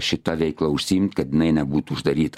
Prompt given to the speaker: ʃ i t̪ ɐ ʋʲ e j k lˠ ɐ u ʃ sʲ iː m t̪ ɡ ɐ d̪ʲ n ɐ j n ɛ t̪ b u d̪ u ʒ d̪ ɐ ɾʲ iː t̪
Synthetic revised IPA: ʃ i t̪ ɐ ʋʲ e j k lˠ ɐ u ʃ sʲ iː m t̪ k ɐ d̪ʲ n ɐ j n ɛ b u t̪ u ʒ d̪ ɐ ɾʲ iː t̪